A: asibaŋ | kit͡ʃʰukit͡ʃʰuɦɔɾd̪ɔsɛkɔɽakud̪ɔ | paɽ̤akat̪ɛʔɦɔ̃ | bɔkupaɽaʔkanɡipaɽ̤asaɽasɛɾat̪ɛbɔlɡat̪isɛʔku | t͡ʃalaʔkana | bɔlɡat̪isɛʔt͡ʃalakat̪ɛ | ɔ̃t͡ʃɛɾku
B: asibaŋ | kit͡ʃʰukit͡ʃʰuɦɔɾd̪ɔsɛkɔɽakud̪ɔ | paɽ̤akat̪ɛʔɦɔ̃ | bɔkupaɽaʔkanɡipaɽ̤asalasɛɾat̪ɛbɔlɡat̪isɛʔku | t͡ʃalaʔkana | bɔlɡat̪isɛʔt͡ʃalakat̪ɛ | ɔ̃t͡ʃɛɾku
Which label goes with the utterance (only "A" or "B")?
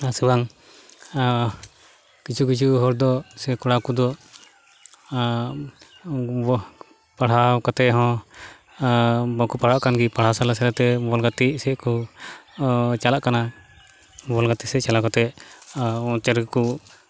B